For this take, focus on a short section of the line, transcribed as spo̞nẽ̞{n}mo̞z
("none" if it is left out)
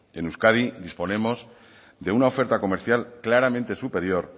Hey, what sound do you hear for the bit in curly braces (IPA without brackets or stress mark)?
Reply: none